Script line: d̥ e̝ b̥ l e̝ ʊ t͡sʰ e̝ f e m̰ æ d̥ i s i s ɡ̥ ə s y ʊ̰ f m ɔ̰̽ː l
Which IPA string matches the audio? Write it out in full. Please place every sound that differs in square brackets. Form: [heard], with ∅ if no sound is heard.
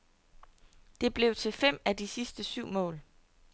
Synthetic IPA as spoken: d̥ e̝ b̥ l e̝ ʊ t͡sʰ e̝ f e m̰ æ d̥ i s i s [d̥] ə s y ʊ̰ [∅] m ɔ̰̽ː l